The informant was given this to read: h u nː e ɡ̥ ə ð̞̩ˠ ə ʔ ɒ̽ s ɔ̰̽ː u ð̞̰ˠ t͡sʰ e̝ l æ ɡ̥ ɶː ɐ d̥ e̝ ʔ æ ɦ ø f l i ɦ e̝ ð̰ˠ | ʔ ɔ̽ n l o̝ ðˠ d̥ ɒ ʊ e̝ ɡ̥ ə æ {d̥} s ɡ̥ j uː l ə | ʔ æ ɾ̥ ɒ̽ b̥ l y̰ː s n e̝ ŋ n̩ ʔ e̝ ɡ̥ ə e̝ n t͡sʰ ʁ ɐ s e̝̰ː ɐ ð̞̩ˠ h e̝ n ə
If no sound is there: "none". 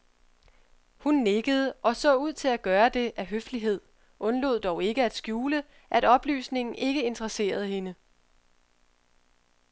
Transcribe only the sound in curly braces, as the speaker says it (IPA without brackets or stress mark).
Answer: d̥